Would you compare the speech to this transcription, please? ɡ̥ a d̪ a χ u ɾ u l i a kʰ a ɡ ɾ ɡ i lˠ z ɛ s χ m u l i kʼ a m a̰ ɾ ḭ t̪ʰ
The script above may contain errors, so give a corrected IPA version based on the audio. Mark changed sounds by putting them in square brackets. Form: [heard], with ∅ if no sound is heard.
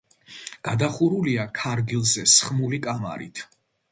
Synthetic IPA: ɡ̥ a d̪ a χ u ɾ u l i a kʰ a [∅] ɾ ɡ i lˠ z ɛ s χ m u l i kʼ a m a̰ ɾ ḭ t̪ʰ